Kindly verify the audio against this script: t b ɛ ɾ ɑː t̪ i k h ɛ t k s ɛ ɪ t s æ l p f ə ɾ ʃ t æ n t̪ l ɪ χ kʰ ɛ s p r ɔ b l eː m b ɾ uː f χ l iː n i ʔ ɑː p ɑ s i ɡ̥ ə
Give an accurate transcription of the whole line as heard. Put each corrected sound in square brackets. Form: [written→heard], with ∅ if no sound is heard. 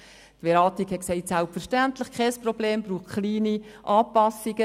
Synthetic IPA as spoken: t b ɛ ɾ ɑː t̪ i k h ɛ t k s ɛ ɪ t s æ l p f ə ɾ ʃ t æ n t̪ l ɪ χ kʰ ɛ s p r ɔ b l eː m b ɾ uː [f→χ] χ l iː n i ʔ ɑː p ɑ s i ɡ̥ ə